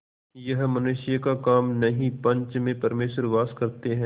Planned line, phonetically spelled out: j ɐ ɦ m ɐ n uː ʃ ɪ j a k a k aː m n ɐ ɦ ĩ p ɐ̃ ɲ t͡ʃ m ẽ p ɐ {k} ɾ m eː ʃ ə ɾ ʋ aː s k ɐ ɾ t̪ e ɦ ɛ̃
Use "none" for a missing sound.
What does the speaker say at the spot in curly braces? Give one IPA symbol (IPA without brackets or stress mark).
none